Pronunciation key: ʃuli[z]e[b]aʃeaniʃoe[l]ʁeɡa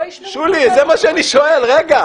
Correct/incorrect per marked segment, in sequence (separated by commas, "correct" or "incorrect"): correct, incorrect, correct